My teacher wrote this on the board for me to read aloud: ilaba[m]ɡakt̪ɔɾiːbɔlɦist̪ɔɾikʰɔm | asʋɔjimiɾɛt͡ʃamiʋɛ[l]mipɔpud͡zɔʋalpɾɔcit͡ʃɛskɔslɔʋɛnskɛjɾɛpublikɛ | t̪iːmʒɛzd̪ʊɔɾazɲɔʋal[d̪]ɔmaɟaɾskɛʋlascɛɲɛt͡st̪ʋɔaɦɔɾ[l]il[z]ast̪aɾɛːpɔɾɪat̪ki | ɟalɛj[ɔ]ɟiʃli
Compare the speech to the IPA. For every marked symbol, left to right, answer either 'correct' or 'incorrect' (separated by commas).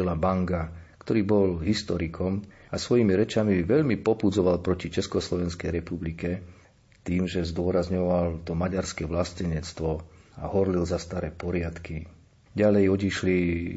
incorrect, incorrect, incorrect, correct, correct, correct